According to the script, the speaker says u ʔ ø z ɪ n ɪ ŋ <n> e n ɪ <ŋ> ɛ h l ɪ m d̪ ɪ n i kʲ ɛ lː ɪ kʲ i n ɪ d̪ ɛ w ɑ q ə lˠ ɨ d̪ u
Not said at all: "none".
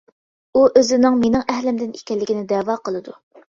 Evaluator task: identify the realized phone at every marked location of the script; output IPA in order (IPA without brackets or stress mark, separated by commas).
m, ŋ